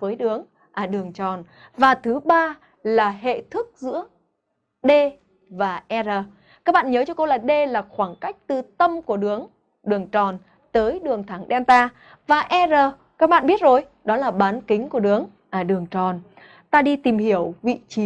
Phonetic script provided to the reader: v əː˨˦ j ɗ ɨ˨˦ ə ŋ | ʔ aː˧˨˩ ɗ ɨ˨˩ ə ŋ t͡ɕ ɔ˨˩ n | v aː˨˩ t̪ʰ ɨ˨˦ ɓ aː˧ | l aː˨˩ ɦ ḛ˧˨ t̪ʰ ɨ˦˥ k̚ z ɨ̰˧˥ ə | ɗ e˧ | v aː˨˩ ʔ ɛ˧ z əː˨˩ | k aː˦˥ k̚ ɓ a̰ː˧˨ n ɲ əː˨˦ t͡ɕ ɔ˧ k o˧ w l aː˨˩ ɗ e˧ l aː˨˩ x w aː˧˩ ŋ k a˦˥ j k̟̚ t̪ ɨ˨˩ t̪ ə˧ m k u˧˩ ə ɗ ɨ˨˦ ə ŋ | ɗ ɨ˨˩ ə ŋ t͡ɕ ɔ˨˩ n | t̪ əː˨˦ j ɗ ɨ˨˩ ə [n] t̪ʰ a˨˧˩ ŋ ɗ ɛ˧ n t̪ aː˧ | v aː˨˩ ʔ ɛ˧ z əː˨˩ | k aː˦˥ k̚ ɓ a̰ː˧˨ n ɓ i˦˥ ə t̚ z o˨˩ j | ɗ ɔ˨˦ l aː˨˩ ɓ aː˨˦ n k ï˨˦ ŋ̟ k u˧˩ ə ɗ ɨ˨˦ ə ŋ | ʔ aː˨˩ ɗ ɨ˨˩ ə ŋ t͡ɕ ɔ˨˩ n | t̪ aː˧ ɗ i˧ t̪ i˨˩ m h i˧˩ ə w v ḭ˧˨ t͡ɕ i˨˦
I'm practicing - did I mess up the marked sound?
yes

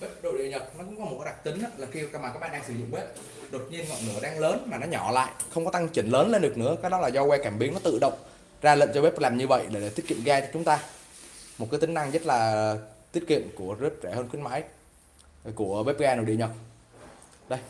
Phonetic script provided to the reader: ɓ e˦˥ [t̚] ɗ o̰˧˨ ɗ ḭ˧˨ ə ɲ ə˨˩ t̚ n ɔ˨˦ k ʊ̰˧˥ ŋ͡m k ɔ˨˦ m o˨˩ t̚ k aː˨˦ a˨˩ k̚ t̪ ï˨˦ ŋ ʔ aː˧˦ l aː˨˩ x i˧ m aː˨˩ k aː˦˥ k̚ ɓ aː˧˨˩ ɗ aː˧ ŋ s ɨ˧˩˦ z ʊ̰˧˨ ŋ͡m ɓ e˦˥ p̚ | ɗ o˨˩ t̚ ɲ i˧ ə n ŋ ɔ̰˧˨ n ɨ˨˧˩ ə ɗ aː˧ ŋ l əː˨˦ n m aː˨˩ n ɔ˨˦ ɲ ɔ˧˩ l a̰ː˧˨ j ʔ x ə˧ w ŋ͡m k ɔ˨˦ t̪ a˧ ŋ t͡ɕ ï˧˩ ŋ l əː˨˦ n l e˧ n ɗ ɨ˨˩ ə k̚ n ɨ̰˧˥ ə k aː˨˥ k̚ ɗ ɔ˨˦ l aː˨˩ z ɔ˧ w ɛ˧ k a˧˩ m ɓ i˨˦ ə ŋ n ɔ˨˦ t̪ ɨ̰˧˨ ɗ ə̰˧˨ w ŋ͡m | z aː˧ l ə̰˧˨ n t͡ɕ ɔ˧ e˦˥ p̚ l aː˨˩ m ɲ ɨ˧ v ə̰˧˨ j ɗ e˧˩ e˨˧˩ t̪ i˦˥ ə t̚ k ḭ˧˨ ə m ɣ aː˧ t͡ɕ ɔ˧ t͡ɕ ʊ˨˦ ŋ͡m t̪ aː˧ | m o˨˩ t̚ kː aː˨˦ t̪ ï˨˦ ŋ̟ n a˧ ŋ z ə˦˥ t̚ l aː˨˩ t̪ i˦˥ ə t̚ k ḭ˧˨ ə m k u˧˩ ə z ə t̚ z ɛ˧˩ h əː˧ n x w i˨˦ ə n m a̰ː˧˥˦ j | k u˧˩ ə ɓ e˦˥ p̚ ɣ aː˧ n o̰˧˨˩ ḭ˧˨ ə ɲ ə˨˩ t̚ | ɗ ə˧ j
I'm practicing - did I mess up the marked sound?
yes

